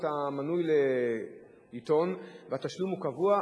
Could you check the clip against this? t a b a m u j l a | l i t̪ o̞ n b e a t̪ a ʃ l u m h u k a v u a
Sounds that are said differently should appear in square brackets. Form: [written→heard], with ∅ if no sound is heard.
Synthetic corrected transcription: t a [b→m] a [m→n] u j l [a→e] | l i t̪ o̞ n [b→v] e a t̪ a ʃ l u m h u k a v u a